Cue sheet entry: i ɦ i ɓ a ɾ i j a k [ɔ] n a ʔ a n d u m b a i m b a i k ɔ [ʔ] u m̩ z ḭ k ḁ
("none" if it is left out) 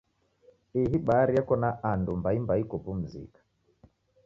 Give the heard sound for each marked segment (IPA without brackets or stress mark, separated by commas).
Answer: ɔ, p